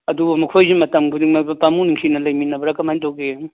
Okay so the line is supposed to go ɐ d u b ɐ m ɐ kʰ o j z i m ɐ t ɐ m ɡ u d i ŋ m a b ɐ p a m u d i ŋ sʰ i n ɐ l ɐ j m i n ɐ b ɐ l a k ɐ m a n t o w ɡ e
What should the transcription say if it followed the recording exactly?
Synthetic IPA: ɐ d u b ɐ m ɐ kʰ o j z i m ɐ t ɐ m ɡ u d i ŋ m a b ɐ p a m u n i ŋ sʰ i n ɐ l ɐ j m i n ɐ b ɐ ɾ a k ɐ m a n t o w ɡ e

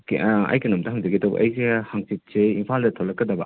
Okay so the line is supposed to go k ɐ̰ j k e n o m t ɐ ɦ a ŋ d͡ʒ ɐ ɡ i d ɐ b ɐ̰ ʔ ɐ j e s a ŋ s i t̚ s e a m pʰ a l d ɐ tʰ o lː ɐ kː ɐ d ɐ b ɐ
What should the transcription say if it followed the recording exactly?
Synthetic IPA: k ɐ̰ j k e n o m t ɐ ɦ a ŋ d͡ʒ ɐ ɡ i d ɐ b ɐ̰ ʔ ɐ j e h a ŋ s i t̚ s e i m pʰ a l d ɐ tʰ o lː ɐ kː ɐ d ɐ b ɐ

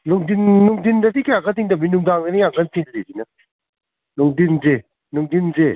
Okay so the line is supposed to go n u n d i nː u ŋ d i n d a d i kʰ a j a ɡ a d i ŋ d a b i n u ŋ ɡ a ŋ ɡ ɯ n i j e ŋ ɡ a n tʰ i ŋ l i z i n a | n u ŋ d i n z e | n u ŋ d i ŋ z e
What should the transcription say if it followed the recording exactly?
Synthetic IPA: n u ŋ d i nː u ŋ d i n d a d i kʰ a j a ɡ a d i ŋ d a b i n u ŋ d a ŋ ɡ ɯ n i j a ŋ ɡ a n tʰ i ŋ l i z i n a | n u ŋ d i n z e | n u ŋ d i n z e

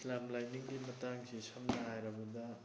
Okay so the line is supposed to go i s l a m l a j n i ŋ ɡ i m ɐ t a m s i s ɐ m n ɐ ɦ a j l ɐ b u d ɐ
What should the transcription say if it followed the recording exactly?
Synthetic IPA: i s l a m l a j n i ŋ ɡ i m ɐ t a ŋ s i s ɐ m n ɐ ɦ a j ɾ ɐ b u d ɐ

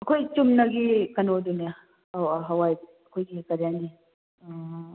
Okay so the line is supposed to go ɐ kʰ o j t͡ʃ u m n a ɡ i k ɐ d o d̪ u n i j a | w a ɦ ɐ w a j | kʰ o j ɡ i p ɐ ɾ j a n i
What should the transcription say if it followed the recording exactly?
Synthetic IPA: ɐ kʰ o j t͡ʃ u m n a ɡ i k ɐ n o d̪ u n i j a | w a ɦ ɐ w a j | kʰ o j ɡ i k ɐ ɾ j a n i

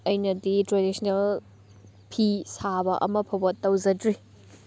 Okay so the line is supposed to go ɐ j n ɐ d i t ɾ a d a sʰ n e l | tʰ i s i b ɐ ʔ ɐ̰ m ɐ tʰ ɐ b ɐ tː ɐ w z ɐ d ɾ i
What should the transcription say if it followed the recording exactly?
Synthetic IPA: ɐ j n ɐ d i t ɾ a d i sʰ n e l | pʰ i s a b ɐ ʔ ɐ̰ m ɐ pʰ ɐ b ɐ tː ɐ w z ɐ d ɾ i

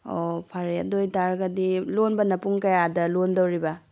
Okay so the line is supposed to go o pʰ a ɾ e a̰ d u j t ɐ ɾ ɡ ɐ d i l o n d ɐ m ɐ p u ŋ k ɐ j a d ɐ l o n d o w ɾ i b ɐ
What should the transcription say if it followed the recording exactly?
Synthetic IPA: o pʰ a ɾ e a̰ d o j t a ɾ ɡ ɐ d i l o n b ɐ n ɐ p u ŋ k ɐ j a d ɐ l o n d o w ɾ i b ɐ

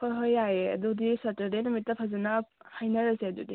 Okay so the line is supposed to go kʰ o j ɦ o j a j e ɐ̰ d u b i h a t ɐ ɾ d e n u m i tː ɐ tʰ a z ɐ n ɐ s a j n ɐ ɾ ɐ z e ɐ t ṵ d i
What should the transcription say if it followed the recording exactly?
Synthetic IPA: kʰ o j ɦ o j a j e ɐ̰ d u d i s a t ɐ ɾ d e n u m i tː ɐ pʰ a z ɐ n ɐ h a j n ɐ ɾ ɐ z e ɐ d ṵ d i

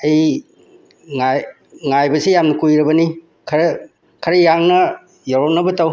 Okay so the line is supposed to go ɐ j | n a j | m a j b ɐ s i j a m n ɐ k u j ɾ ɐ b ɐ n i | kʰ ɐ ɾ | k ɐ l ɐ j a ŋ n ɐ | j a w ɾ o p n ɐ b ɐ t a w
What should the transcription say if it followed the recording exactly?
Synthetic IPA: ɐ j | ŋ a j | ŋ a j b ɐ s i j a m n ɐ k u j ɾ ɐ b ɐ n i | kʰ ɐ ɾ | kʰ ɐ ɾ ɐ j a ŋ n ɐ | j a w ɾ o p n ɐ b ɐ t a w

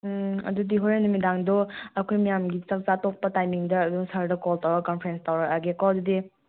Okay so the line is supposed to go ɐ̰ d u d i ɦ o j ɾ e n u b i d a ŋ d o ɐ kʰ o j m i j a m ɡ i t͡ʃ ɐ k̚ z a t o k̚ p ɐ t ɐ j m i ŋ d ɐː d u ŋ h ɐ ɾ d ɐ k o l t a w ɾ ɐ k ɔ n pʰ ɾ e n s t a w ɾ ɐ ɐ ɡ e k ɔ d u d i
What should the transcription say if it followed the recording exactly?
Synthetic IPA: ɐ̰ d u d i ɦ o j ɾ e n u m i d a ŋ d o ɐ kʰ o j m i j a m ɡ i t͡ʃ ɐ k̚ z a t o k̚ p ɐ t a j m i ŋ d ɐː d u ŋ s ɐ ɾ d ɐ k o l t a w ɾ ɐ k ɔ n pʰ ɾ e n s t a w ɾ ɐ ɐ ɡ e k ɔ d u d i

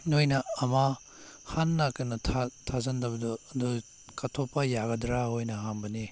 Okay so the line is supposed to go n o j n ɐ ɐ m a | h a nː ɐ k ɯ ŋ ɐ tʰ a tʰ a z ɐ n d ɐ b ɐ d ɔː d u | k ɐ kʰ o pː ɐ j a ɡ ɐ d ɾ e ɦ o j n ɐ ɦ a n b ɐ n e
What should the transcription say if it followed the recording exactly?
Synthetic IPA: n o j n ɐ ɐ m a | h a nː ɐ k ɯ n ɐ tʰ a tʰ a z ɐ n d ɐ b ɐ d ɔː d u | k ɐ tʰ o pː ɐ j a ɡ ɐ d ɾ a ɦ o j n ɐ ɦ a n b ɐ n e

